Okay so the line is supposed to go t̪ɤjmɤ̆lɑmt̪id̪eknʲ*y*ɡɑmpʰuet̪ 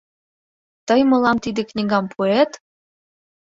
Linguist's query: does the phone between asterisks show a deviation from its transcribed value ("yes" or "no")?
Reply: yes